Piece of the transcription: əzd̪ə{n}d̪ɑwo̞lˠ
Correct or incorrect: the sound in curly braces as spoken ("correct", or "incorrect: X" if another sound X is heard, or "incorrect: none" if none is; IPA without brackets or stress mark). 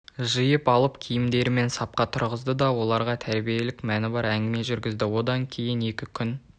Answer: incorrect: none